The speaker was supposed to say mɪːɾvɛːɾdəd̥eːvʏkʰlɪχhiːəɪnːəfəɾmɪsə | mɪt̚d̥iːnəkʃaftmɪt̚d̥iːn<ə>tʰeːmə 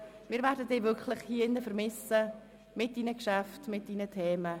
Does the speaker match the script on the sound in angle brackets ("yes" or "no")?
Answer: yes